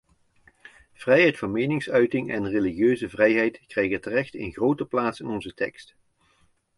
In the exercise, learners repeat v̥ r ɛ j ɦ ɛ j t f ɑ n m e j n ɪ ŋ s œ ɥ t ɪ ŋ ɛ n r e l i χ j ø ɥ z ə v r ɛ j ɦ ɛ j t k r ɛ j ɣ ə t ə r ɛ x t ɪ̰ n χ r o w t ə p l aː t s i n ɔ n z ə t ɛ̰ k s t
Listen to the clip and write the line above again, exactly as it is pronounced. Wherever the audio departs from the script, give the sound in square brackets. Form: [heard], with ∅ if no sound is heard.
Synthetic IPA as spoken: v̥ r ɛ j ɦ ɛ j t f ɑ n m e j n ɪ ŋ s œ ɥ t ɪ ŋ ɛ n r e l i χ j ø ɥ z ə v r ɛ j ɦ ɛ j t k r ɛ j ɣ ə t ə r ɛ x t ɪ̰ n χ r o w t ə p l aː t s [ɪ] n ɔ n z ə t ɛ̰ k s t